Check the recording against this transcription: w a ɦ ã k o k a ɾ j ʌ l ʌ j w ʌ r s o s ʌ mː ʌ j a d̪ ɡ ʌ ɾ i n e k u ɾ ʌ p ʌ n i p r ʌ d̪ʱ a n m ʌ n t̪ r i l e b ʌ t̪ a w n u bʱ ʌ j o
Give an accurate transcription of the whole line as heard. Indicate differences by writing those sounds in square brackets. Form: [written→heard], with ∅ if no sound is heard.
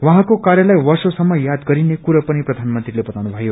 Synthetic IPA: w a ɦ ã k o k a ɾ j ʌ l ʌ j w ʌ r s o s ʌ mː ʌ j a d̪ ɡ ʌ ɾ i n e k u ɾ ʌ p ʌ n i p r ʌ d̪ʱ a n m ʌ n t̪ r i l e b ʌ t̪ a w n u bʱ ʌ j o